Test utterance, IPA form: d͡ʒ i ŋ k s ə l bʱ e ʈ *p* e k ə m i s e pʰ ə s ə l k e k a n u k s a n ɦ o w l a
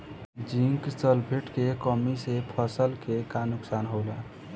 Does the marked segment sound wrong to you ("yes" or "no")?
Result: yes